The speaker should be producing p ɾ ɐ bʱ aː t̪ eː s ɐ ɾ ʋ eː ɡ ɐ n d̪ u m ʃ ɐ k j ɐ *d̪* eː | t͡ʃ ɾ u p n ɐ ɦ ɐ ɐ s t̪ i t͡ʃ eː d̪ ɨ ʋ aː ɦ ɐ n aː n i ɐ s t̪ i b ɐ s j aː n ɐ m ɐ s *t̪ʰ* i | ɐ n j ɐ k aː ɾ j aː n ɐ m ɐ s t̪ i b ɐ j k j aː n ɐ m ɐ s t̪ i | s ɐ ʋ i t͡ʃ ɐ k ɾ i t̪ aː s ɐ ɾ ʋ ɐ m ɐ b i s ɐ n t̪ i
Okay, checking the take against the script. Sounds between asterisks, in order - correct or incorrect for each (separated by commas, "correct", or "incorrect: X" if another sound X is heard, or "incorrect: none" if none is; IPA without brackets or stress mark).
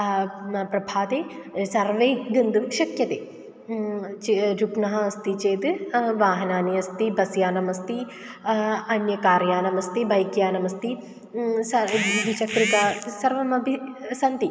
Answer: incorrect: t̪, incorrect: t̪